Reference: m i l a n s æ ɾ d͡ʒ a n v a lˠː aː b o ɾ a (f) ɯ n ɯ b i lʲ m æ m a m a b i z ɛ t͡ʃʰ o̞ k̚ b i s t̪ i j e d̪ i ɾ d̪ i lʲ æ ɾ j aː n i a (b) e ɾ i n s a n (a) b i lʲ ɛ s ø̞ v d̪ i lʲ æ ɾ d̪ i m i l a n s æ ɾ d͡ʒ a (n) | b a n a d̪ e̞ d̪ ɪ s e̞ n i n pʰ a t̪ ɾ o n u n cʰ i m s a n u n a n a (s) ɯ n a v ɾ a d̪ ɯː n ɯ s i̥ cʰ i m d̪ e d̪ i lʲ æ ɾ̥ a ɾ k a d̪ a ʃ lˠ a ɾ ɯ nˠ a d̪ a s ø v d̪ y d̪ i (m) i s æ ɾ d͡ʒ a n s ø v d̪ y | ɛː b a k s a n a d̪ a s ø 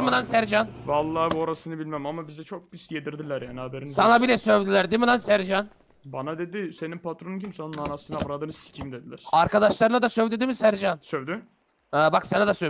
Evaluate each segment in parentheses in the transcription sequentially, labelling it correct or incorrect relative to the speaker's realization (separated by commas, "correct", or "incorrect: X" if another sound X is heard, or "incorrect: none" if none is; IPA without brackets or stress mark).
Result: incorrect: s, correct, correct, correct, correct, correct